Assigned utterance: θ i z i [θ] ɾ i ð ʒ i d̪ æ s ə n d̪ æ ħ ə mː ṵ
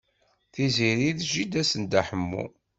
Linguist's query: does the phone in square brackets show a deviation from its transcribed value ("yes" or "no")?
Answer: yes